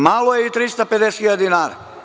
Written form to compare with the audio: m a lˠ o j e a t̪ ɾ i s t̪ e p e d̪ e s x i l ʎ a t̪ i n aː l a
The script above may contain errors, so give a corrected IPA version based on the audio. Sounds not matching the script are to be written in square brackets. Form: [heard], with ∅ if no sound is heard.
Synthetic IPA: m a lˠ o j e [i] t̪ ɾ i s t̪ [a] p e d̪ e s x i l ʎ a [d̪] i n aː [ɾ] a

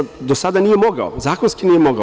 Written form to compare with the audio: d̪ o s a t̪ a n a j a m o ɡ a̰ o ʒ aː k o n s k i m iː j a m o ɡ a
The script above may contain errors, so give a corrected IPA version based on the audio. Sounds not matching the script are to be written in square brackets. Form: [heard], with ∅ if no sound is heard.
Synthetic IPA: d̪ o s a [d̪] a n [i] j [e] m o ɡ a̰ o [z] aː k o n s k i [n] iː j [e] m o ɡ a

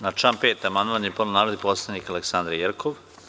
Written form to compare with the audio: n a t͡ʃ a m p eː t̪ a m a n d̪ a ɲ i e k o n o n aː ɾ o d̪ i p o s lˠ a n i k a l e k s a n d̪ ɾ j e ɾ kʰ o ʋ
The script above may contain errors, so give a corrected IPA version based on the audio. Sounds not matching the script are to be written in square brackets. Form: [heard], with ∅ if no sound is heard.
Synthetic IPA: n a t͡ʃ a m p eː t̪ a m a n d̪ a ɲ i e [p] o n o n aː ɾ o d̪ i p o s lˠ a n i k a l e k s a n d̪ ɾ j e ɾ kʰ o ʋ

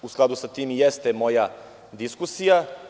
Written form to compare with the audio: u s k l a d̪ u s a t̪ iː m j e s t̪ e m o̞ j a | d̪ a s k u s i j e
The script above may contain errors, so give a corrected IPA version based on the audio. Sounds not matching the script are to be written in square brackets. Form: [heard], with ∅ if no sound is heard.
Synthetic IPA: u s k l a d̪ u s a t̪ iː m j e s t̪ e m o̞ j a | d̪ [i] s k u s i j [a]

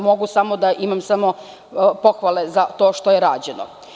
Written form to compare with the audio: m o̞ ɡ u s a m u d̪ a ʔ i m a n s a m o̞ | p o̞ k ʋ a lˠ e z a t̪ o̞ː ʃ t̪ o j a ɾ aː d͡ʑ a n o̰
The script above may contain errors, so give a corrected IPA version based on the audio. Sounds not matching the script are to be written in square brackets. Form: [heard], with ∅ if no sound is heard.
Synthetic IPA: m o̞ ɡ u s a m [o] d̪ a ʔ i m a [m] s a m o̞ | p o̞ [x] ʋ a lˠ e z a t̪ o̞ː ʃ t̪ o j [e] ɾ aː d͡ʑ [e] n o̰

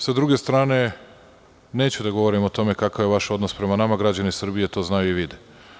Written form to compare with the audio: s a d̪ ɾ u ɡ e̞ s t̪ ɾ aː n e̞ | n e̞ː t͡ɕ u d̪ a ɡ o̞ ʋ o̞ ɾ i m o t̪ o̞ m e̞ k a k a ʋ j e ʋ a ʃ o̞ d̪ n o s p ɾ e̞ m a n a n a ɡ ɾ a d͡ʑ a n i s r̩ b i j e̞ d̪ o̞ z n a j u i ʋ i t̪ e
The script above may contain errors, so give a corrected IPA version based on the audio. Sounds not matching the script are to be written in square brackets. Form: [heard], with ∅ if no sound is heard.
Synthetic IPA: s a d̪ ɾ u ɡ e̞ s t̪ ɾ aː n e̞ | n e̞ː t͡ɕ u d̪ a ɡ o̞ ʋ o̞ ɾ i m o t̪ o̞ m e̞ k a k a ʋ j e ʋ a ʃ o̞ d̪ n o s p ɾ e̞ m a n a [m] a ɡ ɾ a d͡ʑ a n i s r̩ b i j e̞ [t̪] o̞ z n a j u i ʋ i [d̪] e

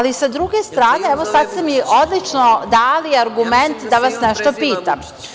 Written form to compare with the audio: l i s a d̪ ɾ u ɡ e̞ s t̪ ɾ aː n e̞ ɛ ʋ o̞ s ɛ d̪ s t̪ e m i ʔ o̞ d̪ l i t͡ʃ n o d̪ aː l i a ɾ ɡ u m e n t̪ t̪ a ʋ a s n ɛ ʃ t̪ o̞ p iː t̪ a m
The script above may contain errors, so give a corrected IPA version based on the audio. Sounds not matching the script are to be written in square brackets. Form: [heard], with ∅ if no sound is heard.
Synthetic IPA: l i s a d̪ ɾ u ɡ e̞ s t̪ ɾ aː n e̞ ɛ ʋ o̞ s [a] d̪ s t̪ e m i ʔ o̞ d̪ l i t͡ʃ n o d̪ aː l i a ɾ ɡ u m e n t̪ [d̪] a ʋ a s n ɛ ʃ t̪ o̞ p iː t̪ a m

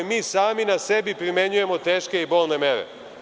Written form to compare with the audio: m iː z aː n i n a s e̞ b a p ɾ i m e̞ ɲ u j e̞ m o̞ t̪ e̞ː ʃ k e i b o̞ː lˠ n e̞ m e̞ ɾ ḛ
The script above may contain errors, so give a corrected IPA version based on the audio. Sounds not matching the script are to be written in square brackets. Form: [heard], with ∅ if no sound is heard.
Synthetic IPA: m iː [s] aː [m] i n a s e̞ b [i] p ɾ i m e̞ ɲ u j e̞ m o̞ t̪ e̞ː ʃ k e i b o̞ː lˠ n e̞ m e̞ ɾ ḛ

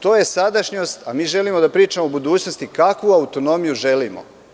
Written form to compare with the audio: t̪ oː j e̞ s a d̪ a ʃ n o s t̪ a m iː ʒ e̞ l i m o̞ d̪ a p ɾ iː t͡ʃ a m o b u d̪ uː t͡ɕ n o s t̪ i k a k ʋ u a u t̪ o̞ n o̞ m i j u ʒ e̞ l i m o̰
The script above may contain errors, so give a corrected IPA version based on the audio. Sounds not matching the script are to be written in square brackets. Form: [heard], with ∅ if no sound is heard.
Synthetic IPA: t̪ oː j e̞ s a d̪ a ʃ [ɲ] o s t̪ a m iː ʒ e̞ l i m o̞ d̪ a p ɾ iː t͡ʃ a m o b u d̪ uː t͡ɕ n o s t̪ i k a k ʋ u a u t̪ o̞ n o̞ m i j u ʒ e̞ l i m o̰

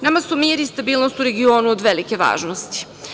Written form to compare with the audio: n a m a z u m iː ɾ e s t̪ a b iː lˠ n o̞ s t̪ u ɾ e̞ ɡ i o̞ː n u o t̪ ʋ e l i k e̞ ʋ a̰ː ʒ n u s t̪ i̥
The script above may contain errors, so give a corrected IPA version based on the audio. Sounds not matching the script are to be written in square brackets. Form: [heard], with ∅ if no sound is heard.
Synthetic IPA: n a m a [s] u m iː ɾ [i] s t̪ a b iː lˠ n o̞ s t̪ u ɾ e̞ ɡ i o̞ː n u o [d̪] ʋ e l i k e̞ ʋ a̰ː ʒ n [o] s t̪ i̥

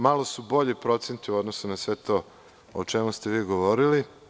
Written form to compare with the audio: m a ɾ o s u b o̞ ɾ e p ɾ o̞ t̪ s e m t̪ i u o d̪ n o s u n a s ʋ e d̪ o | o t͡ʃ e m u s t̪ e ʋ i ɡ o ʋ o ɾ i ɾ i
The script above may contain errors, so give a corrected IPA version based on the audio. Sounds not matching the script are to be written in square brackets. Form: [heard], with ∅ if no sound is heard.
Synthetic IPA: m a [l] o s u b o̞ [ʎ] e p ɾ o̞ t̪ s e [n] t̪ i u o d̪ n o s u n a s ʋ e [t̪] o | o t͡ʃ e m u s t̪ e ʋ [iː] ɡ o ʋ o ɾ i [l] i

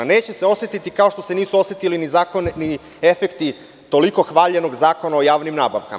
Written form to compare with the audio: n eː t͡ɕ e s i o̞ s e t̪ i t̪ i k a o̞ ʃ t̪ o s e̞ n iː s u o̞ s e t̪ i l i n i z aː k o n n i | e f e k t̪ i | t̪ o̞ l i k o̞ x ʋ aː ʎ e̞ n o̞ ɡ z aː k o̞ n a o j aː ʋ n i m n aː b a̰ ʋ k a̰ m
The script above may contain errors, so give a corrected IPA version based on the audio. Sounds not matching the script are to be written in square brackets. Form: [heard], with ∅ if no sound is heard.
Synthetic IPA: n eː t͡ɕ e s [e] o̞ s e t̪ i t̪ i k a o̞ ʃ t̪ o s e̞ n iː s u o̞ s e t̪ i l i n i z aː k o n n i | e f e k t̪ i | t̪ o̞ l i k o̞ x ʋ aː ʎ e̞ n o̞ ɡ z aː k o̞ n a o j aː ʋ n i m n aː b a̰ ʋ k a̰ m

